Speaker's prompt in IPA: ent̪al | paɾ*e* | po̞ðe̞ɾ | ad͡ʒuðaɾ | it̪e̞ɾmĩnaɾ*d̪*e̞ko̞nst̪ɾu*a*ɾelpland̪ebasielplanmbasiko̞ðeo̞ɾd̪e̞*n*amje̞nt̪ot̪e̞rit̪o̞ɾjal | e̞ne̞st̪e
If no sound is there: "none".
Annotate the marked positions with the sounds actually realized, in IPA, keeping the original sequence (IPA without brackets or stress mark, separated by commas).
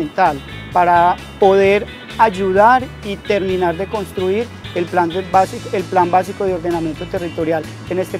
a, d̪, i, n